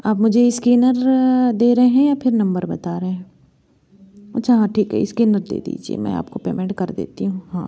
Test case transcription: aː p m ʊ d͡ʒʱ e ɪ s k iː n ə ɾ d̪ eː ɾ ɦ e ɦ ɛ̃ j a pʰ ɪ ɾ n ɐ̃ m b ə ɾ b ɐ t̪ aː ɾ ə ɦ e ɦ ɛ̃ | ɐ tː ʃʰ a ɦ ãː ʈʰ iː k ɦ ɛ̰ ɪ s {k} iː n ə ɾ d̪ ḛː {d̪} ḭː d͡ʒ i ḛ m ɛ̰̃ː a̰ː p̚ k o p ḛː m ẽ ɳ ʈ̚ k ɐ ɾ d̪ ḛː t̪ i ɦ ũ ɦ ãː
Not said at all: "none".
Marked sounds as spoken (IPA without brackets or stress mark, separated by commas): k, d̪